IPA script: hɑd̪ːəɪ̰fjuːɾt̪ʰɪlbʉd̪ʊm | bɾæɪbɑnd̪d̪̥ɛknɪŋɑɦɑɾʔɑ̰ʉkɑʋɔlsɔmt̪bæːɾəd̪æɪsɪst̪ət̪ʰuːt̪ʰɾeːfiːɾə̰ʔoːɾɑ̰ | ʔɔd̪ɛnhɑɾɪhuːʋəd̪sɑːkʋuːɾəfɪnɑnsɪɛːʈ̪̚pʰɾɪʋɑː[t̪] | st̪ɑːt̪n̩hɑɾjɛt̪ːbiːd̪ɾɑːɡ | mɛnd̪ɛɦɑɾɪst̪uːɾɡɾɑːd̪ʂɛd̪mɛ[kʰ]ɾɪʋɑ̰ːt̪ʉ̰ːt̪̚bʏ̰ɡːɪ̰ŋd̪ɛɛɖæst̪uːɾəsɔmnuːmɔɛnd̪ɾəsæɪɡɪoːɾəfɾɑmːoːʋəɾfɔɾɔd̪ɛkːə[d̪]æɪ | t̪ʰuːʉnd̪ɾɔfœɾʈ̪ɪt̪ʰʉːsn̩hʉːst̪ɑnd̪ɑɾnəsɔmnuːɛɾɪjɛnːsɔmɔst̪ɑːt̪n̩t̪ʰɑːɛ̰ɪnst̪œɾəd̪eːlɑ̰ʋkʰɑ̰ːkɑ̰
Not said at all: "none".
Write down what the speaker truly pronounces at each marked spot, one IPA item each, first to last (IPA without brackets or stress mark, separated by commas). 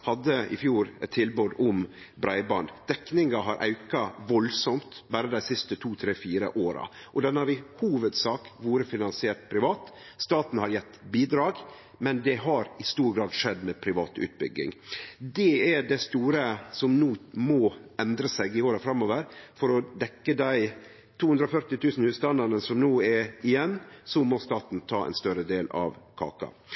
t̪, pʰ, d̪